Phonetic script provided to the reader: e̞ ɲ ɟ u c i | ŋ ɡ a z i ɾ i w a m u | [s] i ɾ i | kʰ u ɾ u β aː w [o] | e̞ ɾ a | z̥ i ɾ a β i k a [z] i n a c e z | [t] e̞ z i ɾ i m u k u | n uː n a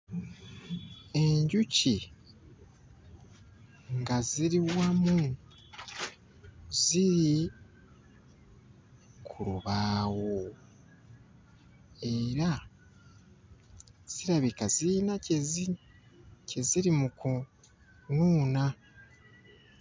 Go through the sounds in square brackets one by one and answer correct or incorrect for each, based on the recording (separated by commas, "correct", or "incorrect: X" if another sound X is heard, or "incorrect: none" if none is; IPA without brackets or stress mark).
incorrect: z, correct, correct, incorrect: c